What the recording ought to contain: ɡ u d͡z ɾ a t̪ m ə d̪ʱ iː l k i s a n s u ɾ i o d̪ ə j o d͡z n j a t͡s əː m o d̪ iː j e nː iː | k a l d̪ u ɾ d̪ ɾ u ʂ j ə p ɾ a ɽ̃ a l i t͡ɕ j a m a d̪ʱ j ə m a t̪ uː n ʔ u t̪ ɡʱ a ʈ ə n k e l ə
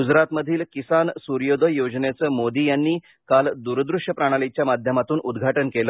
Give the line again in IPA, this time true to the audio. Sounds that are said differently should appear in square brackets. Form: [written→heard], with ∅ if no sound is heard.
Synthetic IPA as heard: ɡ u d͡z ɾ a t̪ m ə d̪ʱ iː l k i s a n s u ɾ [i→j] o d̪ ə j o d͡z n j a t͡s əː m o d̪ iː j [e→a] nː iː | k a l d̪ u ɾ d̪ ɾ u ʂ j ə p ɾ a ɽ̃ a l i t͡ɕ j a m a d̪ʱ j ə m a t̪ uː n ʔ u [t̪→d̪] ɡʱ a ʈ ə n k e l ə